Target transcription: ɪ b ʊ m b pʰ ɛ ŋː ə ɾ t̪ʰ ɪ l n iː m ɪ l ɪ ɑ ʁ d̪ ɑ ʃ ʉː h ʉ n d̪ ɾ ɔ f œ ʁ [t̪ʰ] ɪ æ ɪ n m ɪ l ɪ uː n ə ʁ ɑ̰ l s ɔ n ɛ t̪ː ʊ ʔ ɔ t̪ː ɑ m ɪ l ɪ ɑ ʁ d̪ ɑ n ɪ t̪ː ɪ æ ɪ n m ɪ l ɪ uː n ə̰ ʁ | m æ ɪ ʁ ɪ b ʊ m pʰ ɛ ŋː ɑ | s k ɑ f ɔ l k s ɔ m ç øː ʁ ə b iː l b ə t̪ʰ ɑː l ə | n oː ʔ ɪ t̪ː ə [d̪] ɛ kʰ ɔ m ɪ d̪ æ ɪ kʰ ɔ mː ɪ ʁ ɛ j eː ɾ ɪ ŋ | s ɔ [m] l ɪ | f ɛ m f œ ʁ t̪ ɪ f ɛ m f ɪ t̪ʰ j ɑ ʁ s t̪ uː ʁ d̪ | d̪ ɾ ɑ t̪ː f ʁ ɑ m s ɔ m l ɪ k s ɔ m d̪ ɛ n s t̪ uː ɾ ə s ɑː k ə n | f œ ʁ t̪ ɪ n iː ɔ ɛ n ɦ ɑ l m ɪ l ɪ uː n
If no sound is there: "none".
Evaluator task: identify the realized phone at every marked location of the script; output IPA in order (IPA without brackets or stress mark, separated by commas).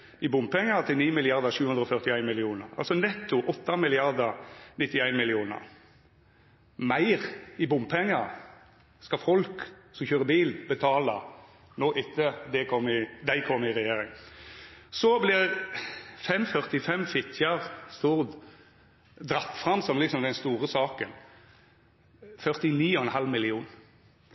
t̪, d̪, b